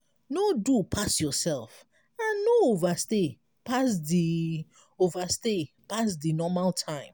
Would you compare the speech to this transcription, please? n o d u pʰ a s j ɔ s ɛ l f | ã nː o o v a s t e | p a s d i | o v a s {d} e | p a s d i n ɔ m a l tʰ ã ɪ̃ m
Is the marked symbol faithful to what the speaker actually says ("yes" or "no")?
no